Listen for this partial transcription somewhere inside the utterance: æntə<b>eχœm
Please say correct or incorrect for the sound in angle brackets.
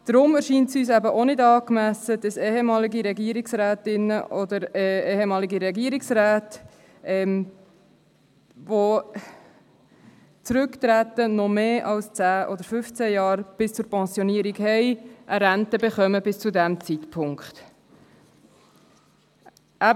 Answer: correct